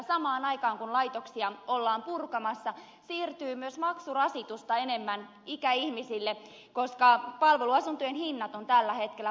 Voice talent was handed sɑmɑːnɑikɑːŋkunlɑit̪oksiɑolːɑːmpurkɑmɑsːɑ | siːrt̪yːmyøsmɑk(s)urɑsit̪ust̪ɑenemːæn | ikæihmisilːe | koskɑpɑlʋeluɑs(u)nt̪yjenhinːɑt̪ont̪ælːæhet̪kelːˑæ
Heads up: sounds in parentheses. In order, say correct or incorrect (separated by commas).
correct, correct